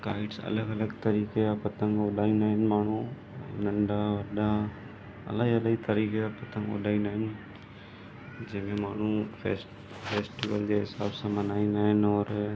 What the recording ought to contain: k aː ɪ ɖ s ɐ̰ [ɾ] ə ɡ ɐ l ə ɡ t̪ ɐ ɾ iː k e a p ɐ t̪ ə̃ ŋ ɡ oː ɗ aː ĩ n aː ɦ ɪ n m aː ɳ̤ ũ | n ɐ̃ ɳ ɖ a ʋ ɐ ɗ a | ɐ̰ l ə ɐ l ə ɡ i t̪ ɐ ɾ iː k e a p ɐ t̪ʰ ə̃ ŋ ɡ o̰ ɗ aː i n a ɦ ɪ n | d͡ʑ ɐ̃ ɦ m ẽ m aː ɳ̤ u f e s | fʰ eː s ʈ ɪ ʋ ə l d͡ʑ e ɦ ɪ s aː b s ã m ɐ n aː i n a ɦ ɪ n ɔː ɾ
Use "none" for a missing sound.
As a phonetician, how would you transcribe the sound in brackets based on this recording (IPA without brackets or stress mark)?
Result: l